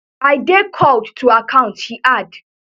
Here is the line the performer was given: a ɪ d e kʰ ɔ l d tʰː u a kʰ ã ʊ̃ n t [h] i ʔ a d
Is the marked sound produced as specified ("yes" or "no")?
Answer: yes